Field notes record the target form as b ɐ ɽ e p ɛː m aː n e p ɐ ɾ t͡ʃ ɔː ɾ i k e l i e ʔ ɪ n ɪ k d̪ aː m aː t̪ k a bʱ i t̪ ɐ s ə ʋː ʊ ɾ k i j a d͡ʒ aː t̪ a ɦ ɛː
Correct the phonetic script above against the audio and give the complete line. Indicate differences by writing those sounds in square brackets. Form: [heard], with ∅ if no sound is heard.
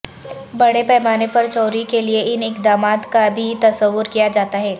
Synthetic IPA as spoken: b ɐ ɽ e p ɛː m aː n e p ɐ ɾ t͡ʃ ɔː ɾ i k e l i e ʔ ɪ n ɪ k d̪ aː m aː t̪ k a bʱ i t̪ ɐ s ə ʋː ʊ ɾ k i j a d͡ʒ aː t̪ a ɦ ɛː